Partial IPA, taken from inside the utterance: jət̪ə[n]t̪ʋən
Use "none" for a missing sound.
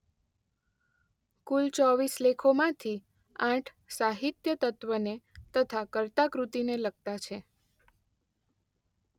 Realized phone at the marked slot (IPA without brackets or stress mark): none